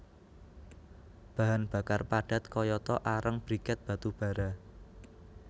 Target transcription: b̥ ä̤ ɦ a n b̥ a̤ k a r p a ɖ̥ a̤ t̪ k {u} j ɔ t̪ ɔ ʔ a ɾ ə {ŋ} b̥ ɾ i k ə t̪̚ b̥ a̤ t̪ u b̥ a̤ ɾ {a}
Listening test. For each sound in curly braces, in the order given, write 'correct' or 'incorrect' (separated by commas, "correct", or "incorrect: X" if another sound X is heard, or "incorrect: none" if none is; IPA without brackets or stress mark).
incorrect: ɔ, correct, correct